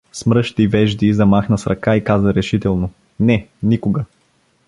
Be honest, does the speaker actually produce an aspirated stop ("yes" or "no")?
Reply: no